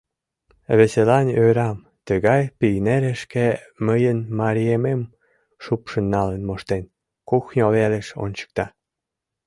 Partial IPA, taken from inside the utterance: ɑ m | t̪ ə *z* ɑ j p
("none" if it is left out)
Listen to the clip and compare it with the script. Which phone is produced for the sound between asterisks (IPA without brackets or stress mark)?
ɣ